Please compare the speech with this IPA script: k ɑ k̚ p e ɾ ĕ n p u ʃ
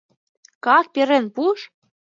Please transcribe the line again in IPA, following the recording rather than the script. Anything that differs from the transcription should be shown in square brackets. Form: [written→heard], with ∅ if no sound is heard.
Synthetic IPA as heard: k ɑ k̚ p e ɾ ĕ n p u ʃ